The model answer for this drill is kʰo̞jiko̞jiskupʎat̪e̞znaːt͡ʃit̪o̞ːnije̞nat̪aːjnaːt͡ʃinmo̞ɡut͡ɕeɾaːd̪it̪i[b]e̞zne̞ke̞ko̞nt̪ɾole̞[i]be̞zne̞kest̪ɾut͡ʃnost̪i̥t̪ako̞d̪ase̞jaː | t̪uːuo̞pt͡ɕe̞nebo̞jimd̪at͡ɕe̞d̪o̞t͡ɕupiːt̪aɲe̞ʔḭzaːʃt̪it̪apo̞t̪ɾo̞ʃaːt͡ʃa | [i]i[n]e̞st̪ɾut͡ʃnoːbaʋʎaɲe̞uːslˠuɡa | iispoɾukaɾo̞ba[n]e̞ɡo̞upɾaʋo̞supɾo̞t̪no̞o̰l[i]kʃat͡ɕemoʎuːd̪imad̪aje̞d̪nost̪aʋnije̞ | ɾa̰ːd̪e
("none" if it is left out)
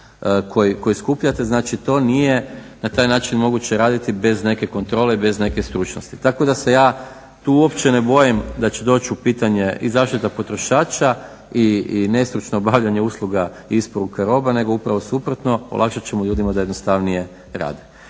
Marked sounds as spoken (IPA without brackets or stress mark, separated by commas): b, i, i, n, n, a